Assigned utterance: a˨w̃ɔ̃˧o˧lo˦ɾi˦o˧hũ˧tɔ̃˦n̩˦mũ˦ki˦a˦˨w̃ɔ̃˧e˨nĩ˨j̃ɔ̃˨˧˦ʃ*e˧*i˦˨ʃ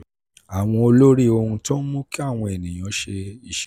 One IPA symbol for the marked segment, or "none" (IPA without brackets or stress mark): e˧